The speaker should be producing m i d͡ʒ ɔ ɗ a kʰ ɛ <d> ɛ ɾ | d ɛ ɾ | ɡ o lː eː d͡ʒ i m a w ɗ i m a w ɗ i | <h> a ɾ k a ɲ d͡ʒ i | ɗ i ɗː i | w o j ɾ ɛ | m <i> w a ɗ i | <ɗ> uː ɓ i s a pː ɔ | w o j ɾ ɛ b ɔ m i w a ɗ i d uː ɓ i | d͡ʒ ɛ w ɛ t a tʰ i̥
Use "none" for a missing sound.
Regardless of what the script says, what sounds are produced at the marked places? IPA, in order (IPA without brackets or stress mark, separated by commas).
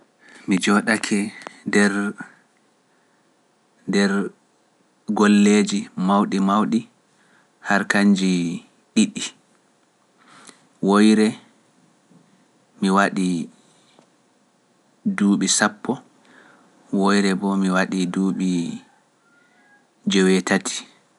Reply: d, h, i, d